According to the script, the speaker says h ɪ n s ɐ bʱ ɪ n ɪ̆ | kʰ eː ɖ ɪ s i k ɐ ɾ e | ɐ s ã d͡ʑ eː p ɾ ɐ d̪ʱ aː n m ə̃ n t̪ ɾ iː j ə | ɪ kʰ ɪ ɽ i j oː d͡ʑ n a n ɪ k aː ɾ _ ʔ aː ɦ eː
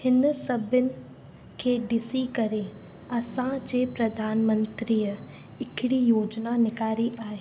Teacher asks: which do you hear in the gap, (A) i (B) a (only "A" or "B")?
A